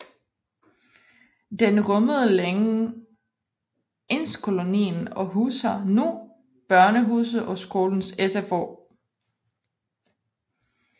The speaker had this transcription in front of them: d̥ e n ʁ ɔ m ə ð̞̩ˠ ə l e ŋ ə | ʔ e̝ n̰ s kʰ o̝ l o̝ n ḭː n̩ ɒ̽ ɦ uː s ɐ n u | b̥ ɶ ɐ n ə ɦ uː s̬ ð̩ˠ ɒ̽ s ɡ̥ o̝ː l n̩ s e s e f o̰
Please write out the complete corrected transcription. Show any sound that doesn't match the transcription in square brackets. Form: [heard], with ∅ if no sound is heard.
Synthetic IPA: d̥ e n ʁ ɔ m ə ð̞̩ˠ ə l e ŋ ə | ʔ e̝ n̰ s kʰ o̝ l o̝ n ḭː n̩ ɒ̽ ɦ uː s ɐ n u | b̥ ɶ ɐ n ə ɦ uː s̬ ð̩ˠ ɒ̽ s ɡ̥ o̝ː l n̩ s e s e f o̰